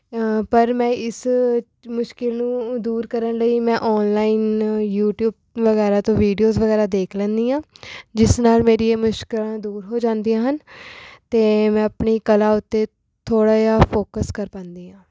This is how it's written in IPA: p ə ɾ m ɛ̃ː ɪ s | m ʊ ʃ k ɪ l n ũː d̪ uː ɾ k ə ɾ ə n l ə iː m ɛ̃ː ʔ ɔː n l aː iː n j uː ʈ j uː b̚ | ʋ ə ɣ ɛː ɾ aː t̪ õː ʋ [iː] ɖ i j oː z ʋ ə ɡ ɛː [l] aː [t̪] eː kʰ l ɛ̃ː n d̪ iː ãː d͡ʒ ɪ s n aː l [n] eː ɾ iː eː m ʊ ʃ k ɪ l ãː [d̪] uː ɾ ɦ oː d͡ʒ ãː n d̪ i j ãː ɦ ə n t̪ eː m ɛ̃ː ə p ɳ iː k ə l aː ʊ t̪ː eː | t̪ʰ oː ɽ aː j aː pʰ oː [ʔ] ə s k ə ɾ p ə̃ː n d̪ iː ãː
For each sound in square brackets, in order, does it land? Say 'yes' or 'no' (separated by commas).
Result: yes, no, no, no, yes, no